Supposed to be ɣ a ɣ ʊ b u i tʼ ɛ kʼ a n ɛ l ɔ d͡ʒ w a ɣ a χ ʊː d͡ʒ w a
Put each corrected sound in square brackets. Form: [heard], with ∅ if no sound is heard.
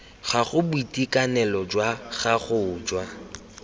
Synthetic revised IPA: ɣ a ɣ ʊ b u i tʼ [i] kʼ a n ɛ l ɔ d͡ʒ w a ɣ a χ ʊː d͡ʒ w a